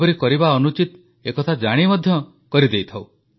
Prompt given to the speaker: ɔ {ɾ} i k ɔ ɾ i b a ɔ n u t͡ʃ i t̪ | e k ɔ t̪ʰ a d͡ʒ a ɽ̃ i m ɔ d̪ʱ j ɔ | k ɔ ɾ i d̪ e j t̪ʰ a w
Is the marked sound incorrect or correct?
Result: correct